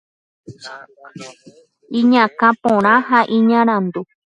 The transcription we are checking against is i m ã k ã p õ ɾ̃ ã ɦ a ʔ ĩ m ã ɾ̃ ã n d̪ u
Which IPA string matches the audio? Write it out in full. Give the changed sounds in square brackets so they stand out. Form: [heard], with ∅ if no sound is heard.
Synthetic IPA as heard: i [ɲ] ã k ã p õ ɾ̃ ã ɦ a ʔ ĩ [ɲ] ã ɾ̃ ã n d̪ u